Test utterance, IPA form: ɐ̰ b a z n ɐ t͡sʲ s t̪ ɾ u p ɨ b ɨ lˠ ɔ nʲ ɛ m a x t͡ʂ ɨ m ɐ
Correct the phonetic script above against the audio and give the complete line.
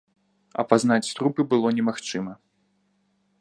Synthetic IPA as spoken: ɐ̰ p a z n a t͡sʲ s t̪ ɾ u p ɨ b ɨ lˠ ɔ nʲ ɛ m a x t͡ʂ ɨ m ɐ

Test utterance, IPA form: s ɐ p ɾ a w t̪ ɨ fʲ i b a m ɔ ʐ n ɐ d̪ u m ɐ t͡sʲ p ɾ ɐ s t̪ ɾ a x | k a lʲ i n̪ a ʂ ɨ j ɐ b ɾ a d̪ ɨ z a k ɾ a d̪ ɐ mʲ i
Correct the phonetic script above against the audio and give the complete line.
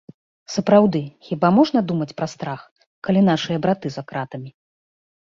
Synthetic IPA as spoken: s ɐ p ɾ a w d̪ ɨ xʲ i b a m ɔ ʐ n ɐ d̪ u m ɐ t͡sʲ p ɾ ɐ s t̪ ɾ a x | k a lʲ i n̪ a ʂ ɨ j ɐ b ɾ a t̪ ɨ z a k ɾ a t̪ ɐ mʲ i

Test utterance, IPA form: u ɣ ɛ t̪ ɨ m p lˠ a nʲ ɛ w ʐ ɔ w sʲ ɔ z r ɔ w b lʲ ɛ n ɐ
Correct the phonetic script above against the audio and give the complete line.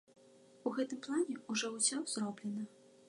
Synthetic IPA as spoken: u ɣ ɛ t̪ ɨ m p lˠ a nʲ ɛ u ʐ ɔ w sʲ ɔ z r ɔ b lʲ ɛ n ɐ

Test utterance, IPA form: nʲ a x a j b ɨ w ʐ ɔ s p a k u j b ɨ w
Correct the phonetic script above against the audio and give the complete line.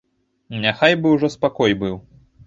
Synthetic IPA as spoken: nʲ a x a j b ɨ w ʐ ɔ s p a k ɔ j b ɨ w

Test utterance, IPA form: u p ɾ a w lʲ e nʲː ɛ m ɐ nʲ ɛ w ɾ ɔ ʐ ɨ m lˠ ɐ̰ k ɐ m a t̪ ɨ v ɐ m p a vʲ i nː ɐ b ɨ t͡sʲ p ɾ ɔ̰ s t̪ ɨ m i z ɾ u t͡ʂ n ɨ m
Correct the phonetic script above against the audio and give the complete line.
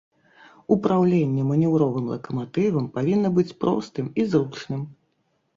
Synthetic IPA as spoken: u p ɾ a w lʲ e nʲː ɛ m ɐ nʲ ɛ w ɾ ɔ v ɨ m lˠ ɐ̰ k ɐ m a t̪ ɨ v ɐ m p a vʲ i nː ɐ b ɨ t͡sʲ p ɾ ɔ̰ s t̪ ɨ m i z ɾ u t͡ʂ n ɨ m

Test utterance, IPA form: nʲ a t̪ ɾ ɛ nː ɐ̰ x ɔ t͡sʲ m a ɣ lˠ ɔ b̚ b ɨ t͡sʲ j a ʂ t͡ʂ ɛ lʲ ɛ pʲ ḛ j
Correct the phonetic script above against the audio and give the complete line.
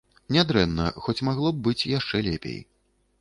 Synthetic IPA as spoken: nʲ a d̪ ɾ ɛ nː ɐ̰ x ɔ t͡sʲ m a ɣ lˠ ɔ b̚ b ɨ t͡sʲ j a ʂ t͡ʂ ɛ lʲ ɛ pʲ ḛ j

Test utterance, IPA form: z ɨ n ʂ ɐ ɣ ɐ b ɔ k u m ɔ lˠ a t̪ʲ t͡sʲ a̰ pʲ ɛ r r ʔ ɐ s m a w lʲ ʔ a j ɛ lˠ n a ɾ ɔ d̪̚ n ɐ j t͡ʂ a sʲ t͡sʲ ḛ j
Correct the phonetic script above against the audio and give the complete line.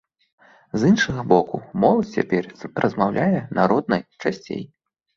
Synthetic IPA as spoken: z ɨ n ʂ ɐ ɣ ɐ b ɔ k u m ɔ lˠ ɐ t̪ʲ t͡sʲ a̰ pʲ ɛ r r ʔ ɐ z m a w lʲ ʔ a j ɛ n a ɾ ɔ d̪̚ n ɐ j t͡ʂ a sʲ t͡sʲ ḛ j

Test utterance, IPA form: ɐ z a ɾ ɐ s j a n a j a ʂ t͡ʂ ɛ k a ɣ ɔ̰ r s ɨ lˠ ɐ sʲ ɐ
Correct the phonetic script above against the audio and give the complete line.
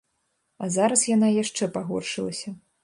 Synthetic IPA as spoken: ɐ z a ɾ ɐ s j a n a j a ʂ t͡ʂ ɛ p a ɣ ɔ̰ r ʂ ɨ lˠ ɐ sʲ ɐ

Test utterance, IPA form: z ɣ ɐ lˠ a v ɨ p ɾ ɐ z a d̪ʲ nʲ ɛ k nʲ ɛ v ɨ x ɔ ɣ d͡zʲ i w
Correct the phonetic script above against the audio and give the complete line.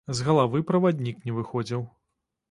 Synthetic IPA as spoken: z ɣ ɐ lˠ a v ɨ p ɾ ɐ v a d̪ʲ nʲ i k nʲ ɛ v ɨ x ɔ d͡zʲ i w

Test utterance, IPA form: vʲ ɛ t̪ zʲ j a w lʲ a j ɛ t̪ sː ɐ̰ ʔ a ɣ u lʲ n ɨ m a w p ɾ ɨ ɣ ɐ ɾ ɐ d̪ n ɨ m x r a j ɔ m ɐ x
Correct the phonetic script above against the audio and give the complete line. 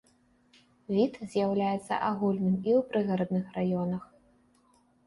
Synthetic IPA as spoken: vʲ i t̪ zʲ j a w lʲ a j ɛ t̪ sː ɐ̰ ʔ a ɣ u lʲ n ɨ m i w p ɾ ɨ ɣ ɐ ɾ ɐ d̪ n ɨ x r a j ɔ n ɐ x

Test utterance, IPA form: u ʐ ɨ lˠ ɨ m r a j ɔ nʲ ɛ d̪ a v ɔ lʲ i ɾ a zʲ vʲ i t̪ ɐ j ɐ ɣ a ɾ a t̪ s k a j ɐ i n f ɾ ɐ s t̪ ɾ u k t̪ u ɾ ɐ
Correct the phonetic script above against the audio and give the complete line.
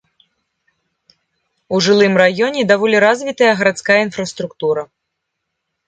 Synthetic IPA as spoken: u ʐ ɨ lˠ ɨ m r a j ɔ nʲ ɛ d̪ a v ɔ lʲ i ɾ a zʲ vʲ i t̪ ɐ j ɐ ɣ ɐ ɾ a t̪ s k a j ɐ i n f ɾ ɐ s t̪ ɾ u k t̪ u ɾ ɐ

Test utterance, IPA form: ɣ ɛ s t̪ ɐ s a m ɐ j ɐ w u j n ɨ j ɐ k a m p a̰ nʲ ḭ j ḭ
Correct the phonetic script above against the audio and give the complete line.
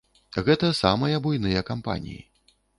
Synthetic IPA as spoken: ɣ ɛ t̪ ɐ s a m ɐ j ɐ b u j n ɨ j ɐ k a m p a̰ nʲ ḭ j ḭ

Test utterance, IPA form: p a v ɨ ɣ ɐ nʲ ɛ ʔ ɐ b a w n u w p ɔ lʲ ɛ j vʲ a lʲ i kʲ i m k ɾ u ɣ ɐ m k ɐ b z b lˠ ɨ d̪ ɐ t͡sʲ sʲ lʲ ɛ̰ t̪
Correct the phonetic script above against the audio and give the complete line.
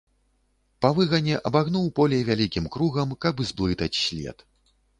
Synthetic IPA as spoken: p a v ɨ ɣ ɐ nʲ ɛ ʔ ɐ b a ɣ n u w p ɔ lʲ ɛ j vʲ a lʲ i kʲ i m k ɾ u ɣ ɐ m k ɐ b z b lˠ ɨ t̪ ɐ t͡sʲ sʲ lʲ ɛ̰ t̪

